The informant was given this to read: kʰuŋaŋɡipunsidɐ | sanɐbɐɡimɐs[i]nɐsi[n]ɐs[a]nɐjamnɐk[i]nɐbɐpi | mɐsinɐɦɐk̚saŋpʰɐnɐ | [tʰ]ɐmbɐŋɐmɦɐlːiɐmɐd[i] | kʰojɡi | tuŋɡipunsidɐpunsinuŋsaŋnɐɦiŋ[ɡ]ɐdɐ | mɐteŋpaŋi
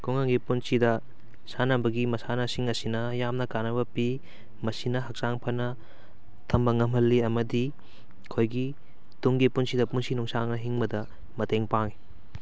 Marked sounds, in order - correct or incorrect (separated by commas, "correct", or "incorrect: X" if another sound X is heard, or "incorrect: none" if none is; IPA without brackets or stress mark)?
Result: incorrect: a, incorrect: ŋ, incorrect: i, incorrect: a, correct, correct, incorrect: b